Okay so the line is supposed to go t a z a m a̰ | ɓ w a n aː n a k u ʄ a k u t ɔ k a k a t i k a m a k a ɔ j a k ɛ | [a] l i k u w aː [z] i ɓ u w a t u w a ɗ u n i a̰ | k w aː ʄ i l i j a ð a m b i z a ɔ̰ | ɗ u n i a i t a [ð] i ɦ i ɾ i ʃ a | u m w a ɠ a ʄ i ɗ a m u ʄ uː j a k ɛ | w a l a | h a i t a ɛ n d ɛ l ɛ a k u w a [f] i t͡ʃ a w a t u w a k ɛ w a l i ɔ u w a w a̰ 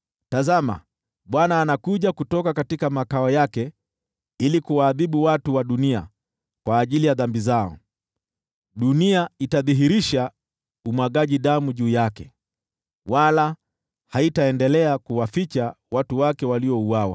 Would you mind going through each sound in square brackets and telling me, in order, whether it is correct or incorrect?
incorrect, incorrect, correct, correct

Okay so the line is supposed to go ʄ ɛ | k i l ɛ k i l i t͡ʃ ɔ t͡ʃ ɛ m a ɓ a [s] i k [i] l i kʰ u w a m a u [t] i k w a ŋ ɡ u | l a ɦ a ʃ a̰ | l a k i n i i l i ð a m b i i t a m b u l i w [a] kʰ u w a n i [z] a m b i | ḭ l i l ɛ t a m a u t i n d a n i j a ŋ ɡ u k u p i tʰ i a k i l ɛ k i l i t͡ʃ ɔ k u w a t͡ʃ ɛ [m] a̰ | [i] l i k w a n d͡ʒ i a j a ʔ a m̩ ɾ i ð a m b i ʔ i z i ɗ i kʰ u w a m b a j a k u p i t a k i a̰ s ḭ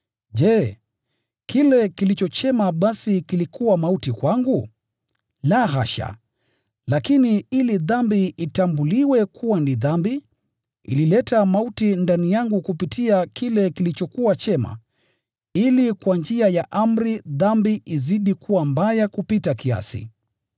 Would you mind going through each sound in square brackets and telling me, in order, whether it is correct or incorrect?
correct, correct, correct, incorrect, incorrect, correct, correct

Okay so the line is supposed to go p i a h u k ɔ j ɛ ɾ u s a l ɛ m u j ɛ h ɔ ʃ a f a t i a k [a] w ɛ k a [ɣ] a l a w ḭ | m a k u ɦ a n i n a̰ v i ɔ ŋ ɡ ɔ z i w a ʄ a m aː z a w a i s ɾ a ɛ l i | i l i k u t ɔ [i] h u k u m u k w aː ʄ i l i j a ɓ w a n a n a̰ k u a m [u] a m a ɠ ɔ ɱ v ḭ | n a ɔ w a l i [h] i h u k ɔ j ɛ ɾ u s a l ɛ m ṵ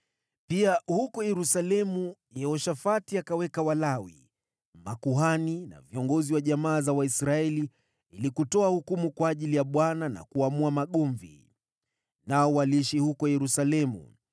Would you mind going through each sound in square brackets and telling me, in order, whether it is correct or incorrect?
correct, incorrect, incorrect, correct, incorrect

